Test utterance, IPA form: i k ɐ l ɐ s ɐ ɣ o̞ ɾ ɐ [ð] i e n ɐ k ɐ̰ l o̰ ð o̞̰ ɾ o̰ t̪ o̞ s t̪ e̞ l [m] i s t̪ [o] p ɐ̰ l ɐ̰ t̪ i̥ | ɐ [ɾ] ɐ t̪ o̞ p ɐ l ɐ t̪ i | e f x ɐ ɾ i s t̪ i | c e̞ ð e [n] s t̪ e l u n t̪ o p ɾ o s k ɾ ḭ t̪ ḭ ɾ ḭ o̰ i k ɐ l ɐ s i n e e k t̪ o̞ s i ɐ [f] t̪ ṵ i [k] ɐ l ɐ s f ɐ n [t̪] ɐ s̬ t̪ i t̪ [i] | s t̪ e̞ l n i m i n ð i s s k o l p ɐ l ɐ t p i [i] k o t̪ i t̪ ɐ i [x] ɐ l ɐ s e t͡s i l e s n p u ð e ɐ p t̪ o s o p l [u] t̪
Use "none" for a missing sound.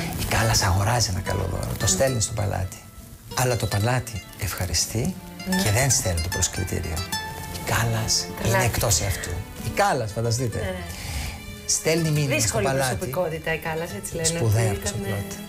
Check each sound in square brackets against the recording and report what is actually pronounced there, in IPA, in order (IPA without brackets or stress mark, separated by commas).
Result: z, n, o, l, n, f, k, d̪, e, i, k, o